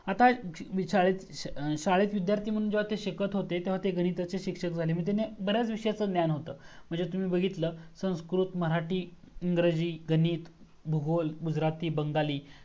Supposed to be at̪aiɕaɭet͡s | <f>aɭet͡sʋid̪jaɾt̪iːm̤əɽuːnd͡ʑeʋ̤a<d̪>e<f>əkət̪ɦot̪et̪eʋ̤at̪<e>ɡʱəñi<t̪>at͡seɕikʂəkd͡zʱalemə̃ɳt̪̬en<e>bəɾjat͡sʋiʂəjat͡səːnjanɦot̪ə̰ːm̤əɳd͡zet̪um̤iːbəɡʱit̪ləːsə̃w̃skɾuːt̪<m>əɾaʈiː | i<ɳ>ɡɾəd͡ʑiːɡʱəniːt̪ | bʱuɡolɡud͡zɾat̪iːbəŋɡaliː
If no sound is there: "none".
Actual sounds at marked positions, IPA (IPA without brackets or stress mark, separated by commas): ɕ, t̪, ɕ, e, t̪, e, m, ŋ